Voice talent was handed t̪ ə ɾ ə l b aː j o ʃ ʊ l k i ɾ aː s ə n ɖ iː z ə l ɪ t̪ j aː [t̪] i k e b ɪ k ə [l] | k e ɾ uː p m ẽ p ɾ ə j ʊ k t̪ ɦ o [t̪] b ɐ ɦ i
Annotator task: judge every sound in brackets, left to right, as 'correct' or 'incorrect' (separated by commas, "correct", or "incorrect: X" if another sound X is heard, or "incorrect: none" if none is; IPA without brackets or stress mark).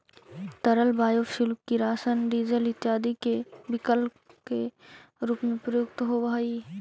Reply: incorrect: d̪, correct, incorrect: none